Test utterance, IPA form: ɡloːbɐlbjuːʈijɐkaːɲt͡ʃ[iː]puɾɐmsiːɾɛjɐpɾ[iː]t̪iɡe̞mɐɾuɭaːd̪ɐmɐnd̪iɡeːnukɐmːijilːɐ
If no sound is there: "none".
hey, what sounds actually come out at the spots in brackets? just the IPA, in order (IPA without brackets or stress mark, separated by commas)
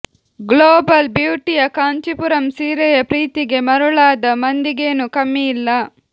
i, iː